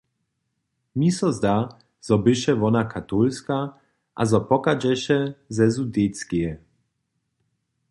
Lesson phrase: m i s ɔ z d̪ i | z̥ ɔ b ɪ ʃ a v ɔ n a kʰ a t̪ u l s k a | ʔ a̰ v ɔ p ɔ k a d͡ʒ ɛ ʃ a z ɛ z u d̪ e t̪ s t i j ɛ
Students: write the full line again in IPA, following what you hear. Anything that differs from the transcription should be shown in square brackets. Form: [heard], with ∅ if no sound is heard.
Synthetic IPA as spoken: m i s ɔ z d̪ [a] | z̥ ɔ b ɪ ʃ [ɛ] v ɔ n a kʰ a t̪ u l s k a | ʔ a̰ [z] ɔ p ɔ k a d͡ʒ ɛ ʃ [ɛ] z ɛ z u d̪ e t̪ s [k] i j ɛ